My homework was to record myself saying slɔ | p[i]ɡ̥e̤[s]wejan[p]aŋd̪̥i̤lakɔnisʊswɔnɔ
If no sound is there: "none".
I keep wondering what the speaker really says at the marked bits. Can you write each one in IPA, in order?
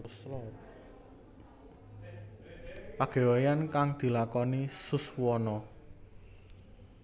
a, none, k

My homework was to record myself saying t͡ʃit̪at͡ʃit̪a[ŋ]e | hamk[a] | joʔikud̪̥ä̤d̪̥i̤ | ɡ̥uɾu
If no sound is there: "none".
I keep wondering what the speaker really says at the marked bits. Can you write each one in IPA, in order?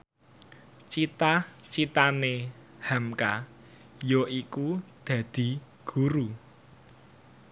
n, a

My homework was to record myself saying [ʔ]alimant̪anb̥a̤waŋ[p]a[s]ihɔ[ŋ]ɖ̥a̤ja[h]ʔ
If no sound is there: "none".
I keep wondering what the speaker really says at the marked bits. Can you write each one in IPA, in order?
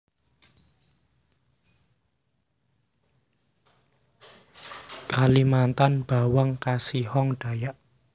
k, k, s, ŋ, none

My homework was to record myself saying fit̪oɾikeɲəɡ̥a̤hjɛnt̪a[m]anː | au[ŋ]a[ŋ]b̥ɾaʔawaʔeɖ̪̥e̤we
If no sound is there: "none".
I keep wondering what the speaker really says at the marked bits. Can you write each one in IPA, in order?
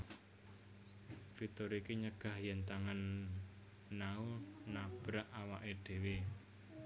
ŋ, n, none

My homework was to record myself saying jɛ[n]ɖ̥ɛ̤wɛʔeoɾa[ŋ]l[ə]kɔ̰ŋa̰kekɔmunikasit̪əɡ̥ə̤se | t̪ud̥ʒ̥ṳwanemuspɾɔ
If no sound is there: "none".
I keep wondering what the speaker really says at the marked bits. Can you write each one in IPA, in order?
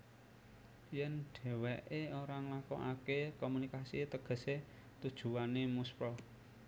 n, ŋ, a

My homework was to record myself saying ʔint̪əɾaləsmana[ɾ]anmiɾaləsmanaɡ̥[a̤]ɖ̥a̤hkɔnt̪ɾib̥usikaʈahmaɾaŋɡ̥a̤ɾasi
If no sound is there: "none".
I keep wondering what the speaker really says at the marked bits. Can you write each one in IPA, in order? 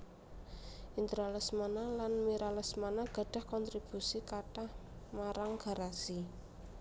l, a̤

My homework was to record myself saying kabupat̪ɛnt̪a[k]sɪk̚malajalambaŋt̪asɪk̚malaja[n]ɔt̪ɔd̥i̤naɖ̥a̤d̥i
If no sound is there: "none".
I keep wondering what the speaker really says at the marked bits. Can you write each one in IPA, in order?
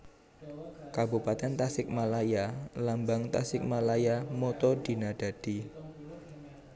none, m

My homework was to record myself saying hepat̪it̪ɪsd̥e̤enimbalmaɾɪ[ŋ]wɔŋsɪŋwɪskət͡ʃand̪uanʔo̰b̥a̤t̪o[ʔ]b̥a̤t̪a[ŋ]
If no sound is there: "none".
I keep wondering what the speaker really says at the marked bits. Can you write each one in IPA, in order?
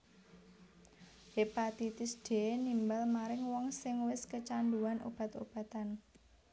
ŋ, none, n

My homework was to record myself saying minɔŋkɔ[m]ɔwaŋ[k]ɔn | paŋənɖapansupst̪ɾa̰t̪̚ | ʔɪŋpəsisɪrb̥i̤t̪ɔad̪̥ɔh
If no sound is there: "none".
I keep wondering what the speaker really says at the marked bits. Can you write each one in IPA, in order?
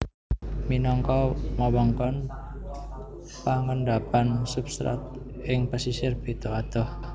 m, k

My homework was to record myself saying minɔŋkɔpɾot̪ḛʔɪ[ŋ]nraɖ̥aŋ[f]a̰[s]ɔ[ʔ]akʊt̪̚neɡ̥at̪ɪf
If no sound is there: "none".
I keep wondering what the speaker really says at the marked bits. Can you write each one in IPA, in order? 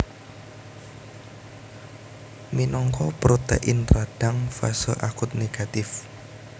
none, f, s, ʔ

